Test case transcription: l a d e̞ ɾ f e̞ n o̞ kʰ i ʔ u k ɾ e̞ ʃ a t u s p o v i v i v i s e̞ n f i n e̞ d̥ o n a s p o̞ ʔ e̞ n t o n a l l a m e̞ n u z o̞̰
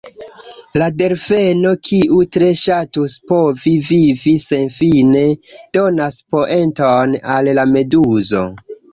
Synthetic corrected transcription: l a d e̞ ɾ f e̞ n o̞ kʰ i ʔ u t ɾ e̞ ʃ a t u s p o v i v i v i s e̞ n f i n e̞ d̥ o n a s p o̞ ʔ e̞ n t o n a l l a m e̞ d u z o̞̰